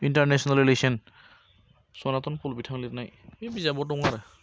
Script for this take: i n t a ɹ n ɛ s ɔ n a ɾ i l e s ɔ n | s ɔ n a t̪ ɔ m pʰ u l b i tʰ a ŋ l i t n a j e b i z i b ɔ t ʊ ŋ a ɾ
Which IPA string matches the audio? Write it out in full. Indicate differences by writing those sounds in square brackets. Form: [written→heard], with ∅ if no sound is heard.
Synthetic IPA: i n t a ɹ n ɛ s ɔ n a [ɾ→l] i l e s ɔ n | s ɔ n a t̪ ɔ [m→n] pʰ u l b i tʰ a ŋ l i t n a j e b i z [i→a] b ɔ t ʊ ŋ a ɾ